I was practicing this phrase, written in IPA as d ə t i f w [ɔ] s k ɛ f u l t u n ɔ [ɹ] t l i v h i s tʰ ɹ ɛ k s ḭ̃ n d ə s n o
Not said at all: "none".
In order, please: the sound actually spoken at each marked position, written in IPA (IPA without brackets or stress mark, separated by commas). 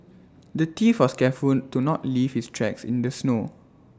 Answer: ɔ, none